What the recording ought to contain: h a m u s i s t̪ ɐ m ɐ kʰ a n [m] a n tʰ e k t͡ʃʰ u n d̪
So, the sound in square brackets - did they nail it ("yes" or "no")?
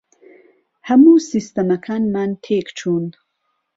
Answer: yes